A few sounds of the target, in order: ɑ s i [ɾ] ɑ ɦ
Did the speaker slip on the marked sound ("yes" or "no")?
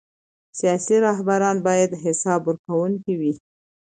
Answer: no